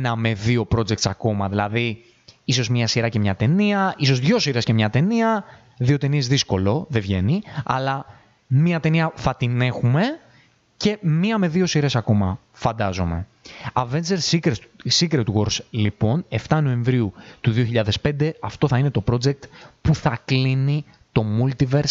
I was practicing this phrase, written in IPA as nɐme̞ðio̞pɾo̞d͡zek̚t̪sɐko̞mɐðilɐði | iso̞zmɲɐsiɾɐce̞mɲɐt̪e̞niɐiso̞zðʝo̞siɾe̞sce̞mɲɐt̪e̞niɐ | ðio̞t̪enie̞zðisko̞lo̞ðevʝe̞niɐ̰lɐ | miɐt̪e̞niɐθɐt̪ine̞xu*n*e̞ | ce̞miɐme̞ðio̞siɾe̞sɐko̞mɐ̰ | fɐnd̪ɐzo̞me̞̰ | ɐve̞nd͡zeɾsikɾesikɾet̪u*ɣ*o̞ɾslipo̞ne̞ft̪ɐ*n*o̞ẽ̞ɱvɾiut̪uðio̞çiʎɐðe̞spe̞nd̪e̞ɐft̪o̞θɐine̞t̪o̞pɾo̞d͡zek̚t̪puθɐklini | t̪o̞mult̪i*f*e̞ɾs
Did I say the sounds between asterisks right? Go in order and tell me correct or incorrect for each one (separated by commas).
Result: incorrect, correct, correct, incorrect